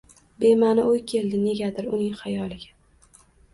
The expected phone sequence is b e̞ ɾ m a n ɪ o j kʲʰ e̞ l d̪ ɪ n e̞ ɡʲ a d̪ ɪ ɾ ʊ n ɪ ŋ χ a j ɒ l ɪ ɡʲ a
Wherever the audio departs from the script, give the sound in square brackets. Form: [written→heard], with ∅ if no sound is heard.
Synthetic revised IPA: b e̞ [ɾ→∅] m a n ɪ o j kʲʰ e̞ l d̪ ɪ n e̞ ɡʲ a d̪ ɪ ɾ ʊ n ɪ ŋ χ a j ɒ l ɪ ɡʲ a